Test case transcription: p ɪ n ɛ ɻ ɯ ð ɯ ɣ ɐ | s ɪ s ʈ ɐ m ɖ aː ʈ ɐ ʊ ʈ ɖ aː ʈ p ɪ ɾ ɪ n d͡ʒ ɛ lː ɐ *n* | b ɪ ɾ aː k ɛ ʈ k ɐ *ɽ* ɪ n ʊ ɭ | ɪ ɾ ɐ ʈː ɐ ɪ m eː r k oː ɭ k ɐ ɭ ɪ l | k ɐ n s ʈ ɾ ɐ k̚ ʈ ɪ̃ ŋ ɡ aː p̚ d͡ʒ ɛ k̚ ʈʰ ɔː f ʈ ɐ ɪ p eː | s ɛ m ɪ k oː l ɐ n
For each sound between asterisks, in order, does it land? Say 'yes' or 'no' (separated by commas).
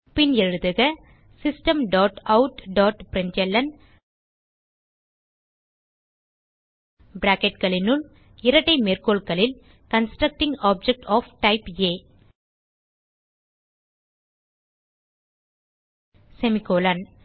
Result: yes, no